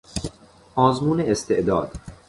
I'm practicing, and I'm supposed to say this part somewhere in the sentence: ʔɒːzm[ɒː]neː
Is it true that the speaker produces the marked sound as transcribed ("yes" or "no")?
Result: no